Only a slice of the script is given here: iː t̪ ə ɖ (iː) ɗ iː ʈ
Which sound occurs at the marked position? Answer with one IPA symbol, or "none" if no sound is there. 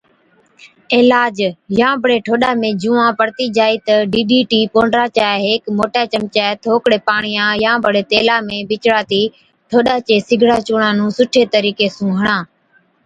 iː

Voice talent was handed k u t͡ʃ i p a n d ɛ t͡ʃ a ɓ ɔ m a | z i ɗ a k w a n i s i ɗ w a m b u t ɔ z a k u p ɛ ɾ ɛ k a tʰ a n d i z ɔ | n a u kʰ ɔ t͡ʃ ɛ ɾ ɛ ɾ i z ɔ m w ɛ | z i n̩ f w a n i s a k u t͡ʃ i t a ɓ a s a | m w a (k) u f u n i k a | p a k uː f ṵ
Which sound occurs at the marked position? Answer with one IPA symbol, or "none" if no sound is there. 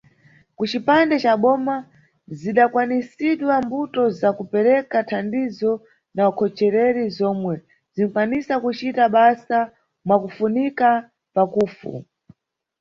k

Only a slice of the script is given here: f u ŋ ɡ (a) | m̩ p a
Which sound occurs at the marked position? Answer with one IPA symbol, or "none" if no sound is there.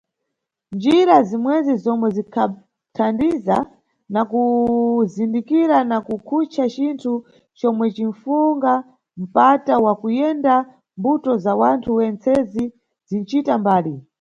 a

